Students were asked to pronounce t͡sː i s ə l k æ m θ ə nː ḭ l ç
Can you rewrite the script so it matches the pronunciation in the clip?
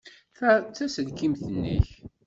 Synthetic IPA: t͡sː æ s ə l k i m θ ə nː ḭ ç